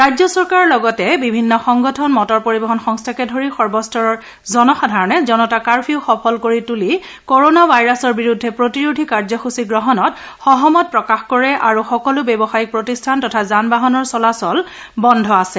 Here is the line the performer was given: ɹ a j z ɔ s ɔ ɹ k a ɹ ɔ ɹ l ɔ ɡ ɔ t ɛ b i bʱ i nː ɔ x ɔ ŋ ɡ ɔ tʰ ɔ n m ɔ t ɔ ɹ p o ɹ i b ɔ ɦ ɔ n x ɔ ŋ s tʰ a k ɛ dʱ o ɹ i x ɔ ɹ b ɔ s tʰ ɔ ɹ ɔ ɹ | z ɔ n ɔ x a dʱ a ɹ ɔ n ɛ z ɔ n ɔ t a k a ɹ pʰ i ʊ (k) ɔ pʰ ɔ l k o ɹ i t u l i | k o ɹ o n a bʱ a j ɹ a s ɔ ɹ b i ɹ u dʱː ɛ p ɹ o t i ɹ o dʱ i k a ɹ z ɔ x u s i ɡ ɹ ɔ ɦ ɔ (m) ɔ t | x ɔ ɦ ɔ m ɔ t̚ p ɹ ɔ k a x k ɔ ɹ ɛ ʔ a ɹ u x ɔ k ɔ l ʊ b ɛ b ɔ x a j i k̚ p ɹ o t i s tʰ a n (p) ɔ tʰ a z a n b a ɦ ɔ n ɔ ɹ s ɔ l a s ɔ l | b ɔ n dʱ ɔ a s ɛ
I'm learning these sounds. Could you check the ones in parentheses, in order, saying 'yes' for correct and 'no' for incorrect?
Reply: no, no, no

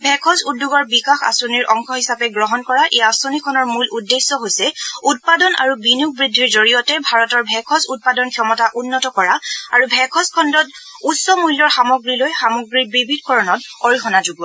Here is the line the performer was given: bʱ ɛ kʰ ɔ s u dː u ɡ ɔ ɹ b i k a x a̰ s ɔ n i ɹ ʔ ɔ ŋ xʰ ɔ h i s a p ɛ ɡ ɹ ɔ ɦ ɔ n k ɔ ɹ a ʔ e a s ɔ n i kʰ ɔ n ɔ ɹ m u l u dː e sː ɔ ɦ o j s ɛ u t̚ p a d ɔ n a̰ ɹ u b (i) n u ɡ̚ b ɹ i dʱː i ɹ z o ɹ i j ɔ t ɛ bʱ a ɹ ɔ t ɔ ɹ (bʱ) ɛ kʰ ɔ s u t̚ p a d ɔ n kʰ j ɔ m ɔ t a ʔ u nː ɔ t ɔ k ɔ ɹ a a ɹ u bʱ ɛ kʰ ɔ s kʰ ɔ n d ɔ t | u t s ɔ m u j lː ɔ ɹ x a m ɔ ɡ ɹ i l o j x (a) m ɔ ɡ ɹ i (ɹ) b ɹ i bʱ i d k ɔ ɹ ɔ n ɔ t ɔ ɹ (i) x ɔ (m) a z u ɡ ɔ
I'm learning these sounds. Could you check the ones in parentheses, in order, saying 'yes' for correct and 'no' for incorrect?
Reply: yes, yes, yes, yes, yes, no

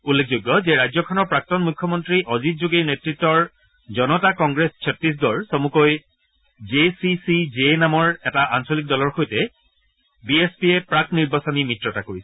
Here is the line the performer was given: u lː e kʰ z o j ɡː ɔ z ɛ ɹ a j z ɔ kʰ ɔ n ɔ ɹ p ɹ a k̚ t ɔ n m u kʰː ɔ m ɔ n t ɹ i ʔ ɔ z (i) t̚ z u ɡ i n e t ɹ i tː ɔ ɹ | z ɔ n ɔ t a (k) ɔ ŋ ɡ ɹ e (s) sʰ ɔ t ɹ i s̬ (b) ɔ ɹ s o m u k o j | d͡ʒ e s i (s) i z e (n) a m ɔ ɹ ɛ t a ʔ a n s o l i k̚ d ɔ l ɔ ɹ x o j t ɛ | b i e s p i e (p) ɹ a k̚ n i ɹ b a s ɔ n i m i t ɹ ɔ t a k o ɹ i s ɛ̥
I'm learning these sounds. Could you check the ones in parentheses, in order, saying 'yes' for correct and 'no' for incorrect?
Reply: yes, yes, yes, no, yes, yes, yes

